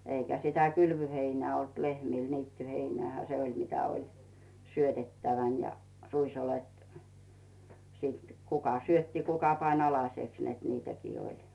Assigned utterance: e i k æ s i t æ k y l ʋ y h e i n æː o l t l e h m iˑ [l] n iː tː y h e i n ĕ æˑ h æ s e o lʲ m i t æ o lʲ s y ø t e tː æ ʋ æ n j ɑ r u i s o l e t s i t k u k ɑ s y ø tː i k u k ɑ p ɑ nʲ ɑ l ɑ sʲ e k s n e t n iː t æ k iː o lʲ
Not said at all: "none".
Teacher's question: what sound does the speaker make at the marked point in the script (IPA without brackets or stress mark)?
l